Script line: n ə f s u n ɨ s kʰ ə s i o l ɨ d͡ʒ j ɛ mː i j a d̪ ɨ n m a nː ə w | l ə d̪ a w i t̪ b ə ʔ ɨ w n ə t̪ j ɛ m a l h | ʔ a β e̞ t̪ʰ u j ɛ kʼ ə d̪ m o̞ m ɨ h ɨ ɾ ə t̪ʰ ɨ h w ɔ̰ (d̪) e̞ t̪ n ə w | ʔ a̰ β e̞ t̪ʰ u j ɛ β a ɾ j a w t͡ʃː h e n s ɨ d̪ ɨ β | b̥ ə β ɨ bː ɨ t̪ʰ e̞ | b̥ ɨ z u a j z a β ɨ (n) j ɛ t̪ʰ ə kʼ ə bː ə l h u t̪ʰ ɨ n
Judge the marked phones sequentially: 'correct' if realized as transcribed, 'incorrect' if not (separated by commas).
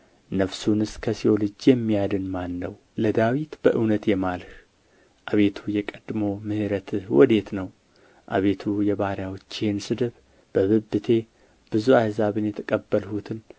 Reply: correct, correct